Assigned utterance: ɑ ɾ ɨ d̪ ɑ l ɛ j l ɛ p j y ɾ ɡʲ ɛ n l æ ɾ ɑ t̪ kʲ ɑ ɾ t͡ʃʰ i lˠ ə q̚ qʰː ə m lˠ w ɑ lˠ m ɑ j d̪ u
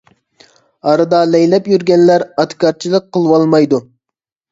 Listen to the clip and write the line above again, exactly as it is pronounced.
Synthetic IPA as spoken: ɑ ɾ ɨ d̪ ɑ l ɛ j l ɛ p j y ɾ ɡʲ ɛ n l æ ɾ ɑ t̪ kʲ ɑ ɾ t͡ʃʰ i lˠ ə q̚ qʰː ə lˠ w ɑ lˠ m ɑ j d̪ u